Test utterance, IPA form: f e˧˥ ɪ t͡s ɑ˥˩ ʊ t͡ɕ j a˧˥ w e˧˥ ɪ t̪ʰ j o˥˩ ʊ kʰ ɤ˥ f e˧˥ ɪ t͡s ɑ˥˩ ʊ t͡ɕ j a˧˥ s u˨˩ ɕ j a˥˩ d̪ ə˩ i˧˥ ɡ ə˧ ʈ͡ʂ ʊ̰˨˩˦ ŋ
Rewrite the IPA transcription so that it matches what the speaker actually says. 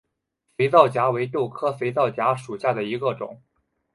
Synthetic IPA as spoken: f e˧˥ ɪ t͡s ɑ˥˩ ʊ t͡ɕ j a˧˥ w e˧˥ ɪ t̪ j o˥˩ ʊ kʰ ɤ˥ f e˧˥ ɪ t͡s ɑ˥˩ ʊ t͡ɕ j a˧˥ ʂ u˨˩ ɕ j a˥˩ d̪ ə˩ i˧˥ ɡ ə˧ ʈ͡ʂ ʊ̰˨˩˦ ŋ